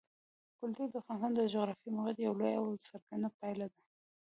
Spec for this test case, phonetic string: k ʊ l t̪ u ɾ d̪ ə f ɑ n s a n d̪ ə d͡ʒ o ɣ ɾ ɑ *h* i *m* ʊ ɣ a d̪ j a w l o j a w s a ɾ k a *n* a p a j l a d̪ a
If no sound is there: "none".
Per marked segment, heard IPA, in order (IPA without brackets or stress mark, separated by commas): f, m, n